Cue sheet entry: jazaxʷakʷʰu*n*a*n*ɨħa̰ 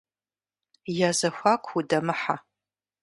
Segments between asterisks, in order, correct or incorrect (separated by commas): incorrect, incorrect